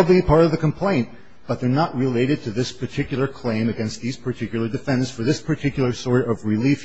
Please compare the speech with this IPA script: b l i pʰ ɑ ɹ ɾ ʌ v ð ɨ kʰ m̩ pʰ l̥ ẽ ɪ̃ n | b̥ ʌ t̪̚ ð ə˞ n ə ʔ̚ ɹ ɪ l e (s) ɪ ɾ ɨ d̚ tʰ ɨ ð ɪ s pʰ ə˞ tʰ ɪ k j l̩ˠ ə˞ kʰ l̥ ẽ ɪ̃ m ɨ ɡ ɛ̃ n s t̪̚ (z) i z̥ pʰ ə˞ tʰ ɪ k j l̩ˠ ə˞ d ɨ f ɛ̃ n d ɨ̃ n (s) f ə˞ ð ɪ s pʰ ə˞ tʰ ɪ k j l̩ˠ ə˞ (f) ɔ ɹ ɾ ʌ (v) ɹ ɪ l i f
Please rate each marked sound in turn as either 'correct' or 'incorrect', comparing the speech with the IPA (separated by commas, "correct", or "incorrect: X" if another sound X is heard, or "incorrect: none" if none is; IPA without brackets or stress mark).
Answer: incorrect: none, incorrect: ð, correct, incorrect: s, correct